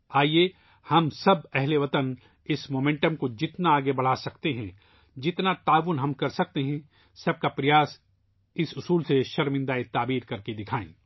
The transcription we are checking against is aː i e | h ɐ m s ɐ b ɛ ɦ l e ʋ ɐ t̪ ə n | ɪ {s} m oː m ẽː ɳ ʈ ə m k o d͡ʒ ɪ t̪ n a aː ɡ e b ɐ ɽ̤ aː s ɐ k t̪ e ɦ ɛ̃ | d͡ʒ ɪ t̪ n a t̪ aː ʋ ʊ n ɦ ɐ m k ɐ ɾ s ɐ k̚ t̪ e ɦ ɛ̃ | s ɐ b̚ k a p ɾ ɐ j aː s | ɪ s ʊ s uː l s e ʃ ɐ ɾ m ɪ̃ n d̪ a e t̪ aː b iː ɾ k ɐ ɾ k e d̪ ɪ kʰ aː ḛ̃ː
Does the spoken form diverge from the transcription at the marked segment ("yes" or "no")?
no